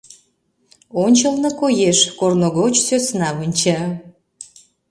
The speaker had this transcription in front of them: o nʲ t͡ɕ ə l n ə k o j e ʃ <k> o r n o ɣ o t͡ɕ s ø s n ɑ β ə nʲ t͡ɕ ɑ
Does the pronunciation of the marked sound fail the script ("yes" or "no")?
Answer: no